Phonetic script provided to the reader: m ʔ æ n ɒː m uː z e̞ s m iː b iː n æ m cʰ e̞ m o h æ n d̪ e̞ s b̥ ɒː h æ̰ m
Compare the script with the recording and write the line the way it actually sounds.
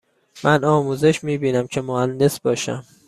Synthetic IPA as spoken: m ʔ æ n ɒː m uː z e̞ ʃ m iː b iː n æ m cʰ e̞ m o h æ n d̪ e̞ s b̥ ɒː ʃ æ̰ m